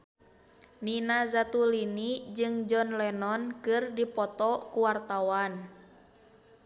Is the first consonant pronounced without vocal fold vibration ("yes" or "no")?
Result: no